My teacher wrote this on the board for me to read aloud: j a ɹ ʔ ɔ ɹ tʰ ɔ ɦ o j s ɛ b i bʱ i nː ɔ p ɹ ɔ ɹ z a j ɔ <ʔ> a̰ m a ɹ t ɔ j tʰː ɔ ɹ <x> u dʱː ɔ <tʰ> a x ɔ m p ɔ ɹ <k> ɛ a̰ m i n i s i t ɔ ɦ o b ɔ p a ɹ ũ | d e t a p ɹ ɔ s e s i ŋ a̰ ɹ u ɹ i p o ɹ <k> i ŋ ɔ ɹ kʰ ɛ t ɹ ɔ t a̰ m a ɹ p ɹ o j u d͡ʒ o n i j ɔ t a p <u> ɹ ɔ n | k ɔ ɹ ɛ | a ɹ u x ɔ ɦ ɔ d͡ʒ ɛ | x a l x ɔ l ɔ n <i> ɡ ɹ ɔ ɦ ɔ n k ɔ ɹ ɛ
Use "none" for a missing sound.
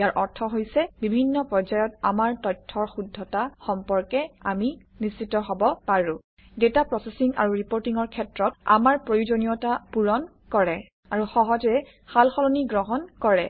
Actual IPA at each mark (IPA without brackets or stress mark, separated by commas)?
t, x, t, k, t, u, i